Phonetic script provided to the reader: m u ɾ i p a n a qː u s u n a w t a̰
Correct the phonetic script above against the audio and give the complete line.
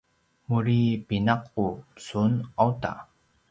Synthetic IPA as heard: m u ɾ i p i n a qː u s u n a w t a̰